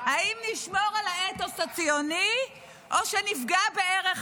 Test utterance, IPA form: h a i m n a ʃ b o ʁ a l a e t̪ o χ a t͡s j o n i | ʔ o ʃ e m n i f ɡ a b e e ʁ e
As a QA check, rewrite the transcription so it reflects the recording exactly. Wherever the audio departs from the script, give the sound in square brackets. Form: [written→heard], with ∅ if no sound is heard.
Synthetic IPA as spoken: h a i m n [a→i] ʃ [b→m] o ʁ a l a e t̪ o [χ→s] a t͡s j o n i | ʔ o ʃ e [m→∅] n i f ɡ a b e e ʁ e